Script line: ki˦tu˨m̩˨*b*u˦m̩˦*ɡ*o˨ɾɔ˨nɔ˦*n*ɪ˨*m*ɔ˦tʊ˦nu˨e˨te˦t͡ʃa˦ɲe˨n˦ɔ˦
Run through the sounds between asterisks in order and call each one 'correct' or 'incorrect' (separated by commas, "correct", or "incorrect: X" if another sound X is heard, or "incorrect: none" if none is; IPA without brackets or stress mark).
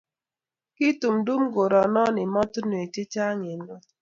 incorrect: d, correct, correct, correct